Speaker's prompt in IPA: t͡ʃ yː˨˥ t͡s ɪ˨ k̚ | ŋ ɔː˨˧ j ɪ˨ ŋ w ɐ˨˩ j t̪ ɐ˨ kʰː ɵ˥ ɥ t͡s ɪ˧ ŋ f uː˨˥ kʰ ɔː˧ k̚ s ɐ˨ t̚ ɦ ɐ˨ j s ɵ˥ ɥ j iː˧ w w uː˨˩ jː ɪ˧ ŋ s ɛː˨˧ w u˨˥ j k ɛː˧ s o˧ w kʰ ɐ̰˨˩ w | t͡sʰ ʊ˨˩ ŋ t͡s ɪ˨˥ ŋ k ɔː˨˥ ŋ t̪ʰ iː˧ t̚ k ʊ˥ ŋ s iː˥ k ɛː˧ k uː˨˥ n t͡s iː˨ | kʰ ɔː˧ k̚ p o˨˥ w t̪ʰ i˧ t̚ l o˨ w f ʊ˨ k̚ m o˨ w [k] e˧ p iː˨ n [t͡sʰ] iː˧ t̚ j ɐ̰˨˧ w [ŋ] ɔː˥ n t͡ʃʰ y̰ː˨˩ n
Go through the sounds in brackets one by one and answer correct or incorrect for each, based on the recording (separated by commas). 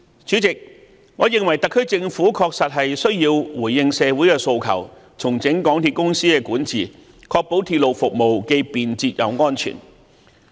correct, incorrect, correct